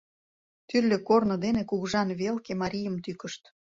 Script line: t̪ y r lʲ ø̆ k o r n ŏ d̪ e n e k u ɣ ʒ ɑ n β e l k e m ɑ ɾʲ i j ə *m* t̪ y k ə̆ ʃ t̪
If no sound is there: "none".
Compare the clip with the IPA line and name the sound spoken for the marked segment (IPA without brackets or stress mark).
m